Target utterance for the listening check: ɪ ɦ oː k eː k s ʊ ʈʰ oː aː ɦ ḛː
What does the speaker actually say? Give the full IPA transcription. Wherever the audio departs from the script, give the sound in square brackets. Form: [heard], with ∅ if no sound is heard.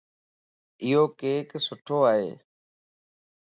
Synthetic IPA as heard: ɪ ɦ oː k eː k s ʊ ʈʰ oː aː ɦ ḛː